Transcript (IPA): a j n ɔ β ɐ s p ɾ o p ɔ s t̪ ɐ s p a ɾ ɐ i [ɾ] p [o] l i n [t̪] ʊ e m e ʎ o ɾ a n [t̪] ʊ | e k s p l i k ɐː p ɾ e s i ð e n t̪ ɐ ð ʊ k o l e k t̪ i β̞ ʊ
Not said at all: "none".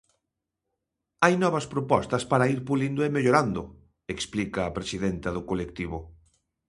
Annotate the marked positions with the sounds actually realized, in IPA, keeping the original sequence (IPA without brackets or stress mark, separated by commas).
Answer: ɾ, u, d̪, d̪